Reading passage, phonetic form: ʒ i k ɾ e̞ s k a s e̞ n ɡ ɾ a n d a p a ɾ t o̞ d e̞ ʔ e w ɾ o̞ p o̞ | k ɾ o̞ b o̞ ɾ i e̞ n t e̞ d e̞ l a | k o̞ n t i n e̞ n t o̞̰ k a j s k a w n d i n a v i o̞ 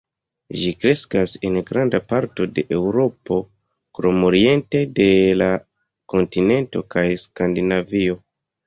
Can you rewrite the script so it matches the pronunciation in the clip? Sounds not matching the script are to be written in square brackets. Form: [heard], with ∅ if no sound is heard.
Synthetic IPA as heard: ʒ i k ɾ e̞ s k a s e̞ n ɡ ɾ a n d a p a ɾ t o̞ d e̞ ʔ e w ɾ o̞ p o̞ | k ɾ o̞ [m] o̞ ɾ i e̞ n t e̞ d e̞ l a | k o̞ n t i n e̞ n t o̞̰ k a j s k a [∅] n d i n a v i o̞

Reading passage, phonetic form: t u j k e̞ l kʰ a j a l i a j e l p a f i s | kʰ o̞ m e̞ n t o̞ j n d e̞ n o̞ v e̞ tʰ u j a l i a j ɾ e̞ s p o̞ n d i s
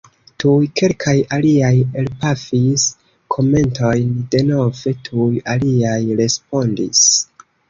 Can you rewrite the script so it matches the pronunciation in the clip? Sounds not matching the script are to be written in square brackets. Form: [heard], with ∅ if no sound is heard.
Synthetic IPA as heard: t u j k e̞ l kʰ a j a l i a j e l p a f i s | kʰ o̞ m e̞ n t o̞ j n d e̞ n o̞ v e̞ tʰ u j a l i a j ɾ e̞ s p o̞ n d i s

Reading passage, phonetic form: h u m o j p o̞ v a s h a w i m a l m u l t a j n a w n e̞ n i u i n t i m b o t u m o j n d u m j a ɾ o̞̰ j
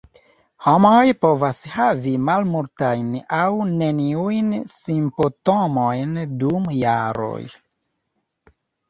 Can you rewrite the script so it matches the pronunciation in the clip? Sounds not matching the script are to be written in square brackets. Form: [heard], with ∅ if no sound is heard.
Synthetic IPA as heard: h [o] m o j p o̞ v a s h a [v] i m a l m u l t a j n a w n e̞ n i u [j] n [s] i m [p] o t [o] m o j n d u m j a ɾ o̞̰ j

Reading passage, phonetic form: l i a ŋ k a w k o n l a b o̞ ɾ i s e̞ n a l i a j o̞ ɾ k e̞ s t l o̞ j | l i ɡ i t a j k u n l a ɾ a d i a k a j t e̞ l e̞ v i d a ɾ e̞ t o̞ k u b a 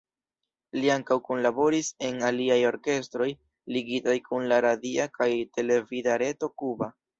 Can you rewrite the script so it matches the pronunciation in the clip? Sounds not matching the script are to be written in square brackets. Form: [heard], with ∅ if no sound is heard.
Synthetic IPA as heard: l i a ŋ k a w k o n l a b o̞ ɾ i s e̞ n a l i a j o̞ ɾ k e̞ s t [ɾ] o̞ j | l i ɡ i t a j k u n l a ɾ a d i a k a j t e̞ l e̞ v i d a ɾ e̞ t o̞ k u b a

